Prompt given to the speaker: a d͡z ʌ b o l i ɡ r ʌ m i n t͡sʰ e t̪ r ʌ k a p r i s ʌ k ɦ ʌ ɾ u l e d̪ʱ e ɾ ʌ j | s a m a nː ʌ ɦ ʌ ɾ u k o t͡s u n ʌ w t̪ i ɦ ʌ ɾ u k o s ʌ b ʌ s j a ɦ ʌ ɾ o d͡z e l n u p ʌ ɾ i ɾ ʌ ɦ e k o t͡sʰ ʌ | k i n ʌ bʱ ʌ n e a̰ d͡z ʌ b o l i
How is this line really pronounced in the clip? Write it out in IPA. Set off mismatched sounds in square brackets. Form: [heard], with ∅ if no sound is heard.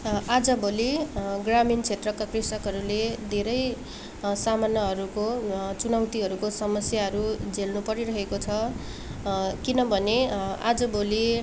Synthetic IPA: a d͡z ʌ b o l i ɡ r [a] m i n t͡sʰ e t̪ r ʌ k a [k] r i s ʌ k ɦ ʌ ɾ u l e d̪ʱ e ɾ ʌ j | s a m a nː ʌ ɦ ʌ ɾ u k o t͡s u n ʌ w t̪ i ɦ ʌ ɾ u k o s ʌ [m] ʌ s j a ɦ ʌ ɾ [u] d͡z e l n u p ʌ ɾ i ɾ ʌ ɦ e k o t͡sʰ ʌ | k i n ʌ bʱ ʌ n e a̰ d͡z ʌ b o l i